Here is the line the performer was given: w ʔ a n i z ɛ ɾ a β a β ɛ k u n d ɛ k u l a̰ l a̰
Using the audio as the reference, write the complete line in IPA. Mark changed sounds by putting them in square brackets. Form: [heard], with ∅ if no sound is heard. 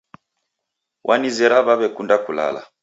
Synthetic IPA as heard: w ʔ a n i z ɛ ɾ a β a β ɛ k u n d [a] k u l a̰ l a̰